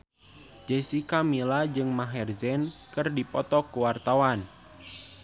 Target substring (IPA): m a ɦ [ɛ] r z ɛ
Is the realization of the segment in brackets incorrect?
no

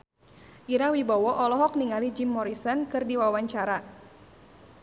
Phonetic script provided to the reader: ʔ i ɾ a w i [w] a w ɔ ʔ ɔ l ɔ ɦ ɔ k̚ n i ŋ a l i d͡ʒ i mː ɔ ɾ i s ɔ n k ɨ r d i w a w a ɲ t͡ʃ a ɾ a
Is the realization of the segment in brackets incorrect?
yes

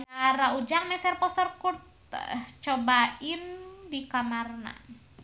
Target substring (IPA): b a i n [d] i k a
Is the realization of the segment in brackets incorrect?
no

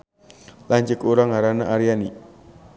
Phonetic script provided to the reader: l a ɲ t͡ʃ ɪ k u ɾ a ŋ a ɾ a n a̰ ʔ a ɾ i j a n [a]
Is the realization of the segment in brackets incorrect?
yes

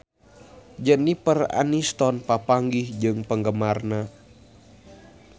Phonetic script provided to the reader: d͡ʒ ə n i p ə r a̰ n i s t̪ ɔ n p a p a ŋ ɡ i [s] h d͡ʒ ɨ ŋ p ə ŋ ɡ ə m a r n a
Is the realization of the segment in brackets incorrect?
yes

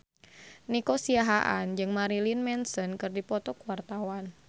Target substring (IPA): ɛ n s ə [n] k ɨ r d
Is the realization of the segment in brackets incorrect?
no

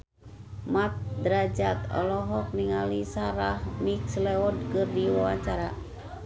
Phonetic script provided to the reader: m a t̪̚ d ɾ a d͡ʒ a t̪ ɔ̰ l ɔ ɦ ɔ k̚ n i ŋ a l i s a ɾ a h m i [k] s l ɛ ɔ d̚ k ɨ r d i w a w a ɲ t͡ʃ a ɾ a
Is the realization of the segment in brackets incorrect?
no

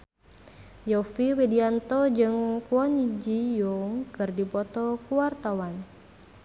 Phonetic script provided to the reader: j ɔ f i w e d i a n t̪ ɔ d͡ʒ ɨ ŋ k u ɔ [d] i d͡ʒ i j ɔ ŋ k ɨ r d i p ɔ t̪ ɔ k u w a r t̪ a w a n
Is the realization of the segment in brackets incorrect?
yes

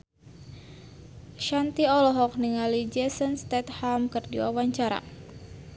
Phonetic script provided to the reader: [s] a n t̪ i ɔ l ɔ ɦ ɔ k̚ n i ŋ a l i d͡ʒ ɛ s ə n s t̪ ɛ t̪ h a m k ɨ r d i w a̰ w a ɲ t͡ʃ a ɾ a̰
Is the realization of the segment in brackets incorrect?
yes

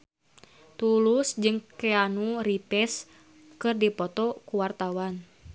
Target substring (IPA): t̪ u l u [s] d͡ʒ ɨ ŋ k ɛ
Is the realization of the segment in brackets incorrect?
no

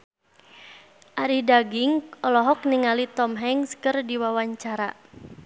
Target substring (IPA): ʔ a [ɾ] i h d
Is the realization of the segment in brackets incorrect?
no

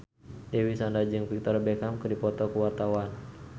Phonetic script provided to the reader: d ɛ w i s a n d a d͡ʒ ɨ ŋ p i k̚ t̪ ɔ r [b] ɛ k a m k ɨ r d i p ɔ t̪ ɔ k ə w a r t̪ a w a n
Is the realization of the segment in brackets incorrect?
no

